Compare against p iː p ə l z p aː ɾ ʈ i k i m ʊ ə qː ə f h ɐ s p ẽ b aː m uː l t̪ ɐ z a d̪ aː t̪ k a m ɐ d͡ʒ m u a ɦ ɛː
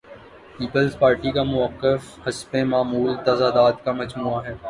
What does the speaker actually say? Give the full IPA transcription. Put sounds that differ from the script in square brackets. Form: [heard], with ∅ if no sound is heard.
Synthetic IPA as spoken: p iː p ə l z p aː ɾ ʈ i k [a] m ʊ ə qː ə f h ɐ s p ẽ [m] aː m uː l t̪ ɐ z a d̪ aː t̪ k a m ɐ d͡ʒ m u a ɦ ɛː